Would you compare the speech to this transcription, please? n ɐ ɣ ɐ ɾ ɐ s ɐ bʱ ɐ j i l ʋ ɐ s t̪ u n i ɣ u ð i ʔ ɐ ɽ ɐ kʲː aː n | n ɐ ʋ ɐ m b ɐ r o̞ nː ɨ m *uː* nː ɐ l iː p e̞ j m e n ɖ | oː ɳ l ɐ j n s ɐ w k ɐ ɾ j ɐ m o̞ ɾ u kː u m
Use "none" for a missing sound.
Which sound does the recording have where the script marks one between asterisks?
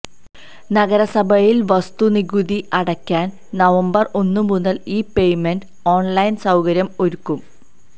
u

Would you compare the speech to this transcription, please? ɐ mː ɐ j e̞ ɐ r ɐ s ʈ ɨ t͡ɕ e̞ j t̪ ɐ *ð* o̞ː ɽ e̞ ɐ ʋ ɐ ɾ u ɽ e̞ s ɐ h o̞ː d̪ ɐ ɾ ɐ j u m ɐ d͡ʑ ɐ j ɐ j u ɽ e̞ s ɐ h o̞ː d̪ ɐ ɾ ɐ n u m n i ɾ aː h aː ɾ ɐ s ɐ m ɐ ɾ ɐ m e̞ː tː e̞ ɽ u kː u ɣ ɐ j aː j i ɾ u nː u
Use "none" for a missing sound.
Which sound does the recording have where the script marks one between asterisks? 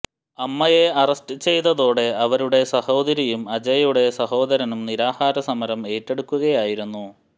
ð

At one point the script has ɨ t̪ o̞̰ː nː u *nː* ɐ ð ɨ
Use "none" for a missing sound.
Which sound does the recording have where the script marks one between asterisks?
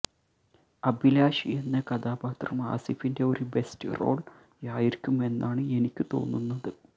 nː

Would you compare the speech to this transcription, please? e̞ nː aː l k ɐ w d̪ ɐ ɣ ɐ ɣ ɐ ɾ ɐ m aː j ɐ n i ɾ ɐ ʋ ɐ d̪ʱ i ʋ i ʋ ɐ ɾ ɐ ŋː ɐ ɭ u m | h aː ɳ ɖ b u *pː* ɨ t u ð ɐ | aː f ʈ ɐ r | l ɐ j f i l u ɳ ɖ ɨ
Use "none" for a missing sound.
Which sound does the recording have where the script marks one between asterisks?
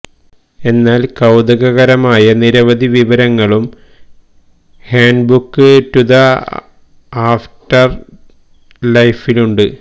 kː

